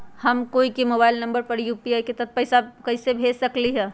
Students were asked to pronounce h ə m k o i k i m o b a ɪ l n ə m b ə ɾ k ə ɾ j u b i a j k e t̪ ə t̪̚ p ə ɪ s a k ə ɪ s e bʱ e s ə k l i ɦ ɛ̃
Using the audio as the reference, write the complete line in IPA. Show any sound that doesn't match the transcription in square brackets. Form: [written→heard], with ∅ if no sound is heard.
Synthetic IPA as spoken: h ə m k o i k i m o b a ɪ l n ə m b ə ɾ [k→p] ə ɾ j u [b→p] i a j k e t̪ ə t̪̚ p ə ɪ s a k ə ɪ s e bʱ e s ə k l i ɦ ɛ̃